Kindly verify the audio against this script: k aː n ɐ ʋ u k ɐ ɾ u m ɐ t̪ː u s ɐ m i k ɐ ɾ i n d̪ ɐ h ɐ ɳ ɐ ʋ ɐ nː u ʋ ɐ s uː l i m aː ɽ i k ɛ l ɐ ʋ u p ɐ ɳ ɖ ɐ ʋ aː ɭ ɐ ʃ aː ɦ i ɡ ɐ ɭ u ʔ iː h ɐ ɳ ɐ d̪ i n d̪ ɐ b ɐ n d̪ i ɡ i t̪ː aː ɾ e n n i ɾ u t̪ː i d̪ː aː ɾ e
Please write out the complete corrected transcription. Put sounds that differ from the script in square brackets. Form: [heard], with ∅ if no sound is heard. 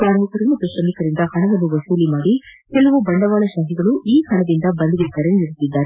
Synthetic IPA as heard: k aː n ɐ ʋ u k ɐ ɾ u m ɐ t̪ː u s ɐ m i k ɐ ɾ i n d̪ ɐ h ɐ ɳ ɐ ʋ ɐ nː u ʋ ɐ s uː l i m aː ɽ i k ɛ l ɐ ʋ u [b] ɐ ɳ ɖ ɐ ʋ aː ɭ ɐ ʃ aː ɦ i ɡ ɐ ɭ u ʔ iː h ɐ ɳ ɐ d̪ i n d̪ ɐ b ɐ n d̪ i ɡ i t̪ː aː ɾ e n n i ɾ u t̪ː i d̪ː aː ɾ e